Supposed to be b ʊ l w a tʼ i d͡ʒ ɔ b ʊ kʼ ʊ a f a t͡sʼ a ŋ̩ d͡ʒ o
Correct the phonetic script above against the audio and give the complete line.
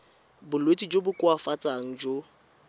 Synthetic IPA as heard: b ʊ l w e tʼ i d͡ʒ o b ʊ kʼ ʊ a f a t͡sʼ a ŋ̩ d͡ʒ o